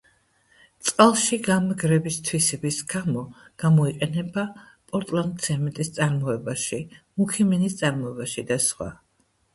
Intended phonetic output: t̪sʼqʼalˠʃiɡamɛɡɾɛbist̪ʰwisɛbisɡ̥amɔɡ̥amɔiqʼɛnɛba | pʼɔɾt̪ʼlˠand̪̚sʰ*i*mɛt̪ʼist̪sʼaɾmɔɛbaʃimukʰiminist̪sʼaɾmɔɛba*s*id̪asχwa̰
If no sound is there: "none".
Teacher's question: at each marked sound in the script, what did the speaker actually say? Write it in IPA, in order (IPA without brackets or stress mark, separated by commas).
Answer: ɛ, ʃ